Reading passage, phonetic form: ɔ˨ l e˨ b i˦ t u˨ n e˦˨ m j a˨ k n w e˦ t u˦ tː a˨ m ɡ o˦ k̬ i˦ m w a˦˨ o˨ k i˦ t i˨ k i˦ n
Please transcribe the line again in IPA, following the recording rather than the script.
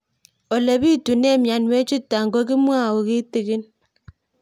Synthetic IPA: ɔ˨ l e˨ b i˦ t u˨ n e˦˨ m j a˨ n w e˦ t͡ʃ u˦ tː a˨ ŋ ɡ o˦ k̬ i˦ m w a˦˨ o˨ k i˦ t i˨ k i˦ n